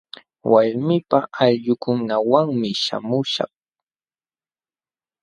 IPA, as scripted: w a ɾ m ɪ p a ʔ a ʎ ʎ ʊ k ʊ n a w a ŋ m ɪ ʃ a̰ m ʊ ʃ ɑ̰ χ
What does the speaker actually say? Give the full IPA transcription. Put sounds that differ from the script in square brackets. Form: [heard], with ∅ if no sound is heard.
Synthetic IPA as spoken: w a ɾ m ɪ p a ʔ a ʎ ʎ ʊ k ʊ n a w a ŋ m ɪ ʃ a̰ m ʊ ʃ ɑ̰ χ